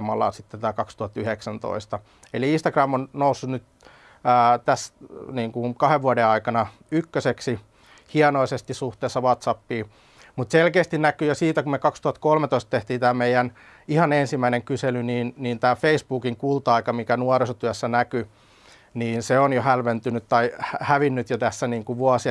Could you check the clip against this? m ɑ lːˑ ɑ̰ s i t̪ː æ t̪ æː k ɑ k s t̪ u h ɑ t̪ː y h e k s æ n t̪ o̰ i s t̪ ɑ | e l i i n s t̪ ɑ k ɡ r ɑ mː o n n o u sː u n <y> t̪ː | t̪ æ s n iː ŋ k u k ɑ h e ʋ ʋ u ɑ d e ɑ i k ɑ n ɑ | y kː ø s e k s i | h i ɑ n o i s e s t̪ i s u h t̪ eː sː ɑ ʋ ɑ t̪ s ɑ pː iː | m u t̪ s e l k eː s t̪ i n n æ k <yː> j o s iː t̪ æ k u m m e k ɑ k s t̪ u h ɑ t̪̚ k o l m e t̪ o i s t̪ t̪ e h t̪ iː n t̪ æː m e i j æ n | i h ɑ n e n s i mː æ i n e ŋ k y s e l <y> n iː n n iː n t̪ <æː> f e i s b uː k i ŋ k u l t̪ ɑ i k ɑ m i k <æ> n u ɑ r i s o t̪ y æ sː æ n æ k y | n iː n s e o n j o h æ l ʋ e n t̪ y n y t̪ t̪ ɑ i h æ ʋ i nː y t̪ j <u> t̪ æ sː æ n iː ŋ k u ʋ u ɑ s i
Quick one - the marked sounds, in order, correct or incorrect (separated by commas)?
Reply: correct, incorrect, correct, correct, correct, incorrect